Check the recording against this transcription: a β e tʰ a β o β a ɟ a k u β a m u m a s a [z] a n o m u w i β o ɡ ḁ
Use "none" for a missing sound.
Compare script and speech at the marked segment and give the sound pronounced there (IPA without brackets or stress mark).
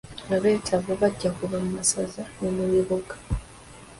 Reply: z